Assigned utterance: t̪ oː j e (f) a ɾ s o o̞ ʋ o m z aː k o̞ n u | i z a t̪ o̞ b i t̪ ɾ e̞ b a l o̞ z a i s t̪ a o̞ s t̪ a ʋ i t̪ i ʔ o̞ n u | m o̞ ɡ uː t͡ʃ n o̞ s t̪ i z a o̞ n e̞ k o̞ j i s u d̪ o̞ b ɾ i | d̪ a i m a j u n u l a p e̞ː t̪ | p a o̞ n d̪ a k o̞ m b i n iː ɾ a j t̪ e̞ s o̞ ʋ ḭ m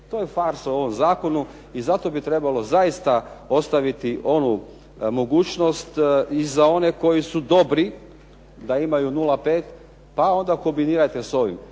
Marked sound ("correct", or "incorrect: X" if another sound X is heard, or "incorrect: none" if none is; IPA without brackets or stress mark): correct